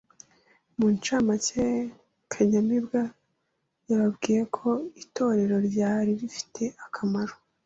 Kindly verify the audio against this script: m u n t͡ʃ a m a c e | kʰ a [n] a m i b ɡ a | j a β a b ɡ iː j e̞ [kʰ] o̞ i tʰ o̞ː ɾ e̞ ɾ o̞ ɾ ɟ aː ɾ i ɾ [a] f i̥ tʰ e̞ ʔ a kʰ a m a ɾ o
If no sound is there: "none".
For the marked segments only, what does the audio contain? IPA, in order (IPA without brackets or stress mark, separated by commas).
ɲ, kʰ, i